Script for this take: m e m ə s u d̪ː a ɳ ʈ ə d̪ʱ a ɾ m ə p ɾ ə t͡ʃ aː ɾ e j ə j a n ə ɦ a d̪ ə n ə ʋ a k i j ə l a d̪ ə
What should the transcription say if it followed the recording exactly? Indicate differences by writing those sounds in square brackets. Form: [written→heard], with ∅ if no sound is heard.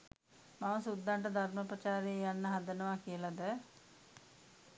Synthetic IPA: m [e→a] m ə s u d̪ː a ɳ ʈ ə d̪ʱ a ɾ m ə p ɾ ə t͡ʃ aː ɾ e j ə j a [n→nː] ə ɦ a d̪ ə n ə ʋ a k i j ə l a d̪ ə